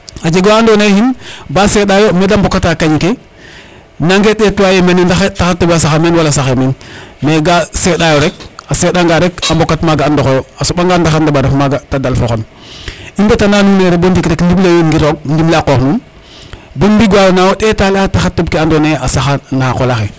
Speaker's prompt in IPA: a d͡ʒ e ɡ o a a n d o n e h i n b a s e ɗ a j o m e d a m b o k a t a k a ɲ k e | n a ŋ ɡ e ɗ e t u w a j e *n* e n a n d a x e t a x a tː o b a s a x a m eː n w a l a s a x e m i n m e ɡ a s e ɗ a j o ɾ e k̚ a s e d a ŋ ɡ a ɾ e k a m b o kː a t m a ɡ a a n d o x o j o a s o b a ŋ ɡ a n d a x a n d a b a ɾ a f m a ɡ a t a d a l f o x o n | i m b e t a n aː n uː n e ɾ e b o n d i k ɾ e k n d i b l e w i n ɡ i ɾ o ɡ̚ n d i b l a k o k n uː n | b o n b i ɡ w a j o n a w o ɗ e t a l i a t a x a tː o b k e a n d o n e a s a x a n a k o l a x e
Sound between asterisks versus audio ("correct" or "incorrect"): incorrect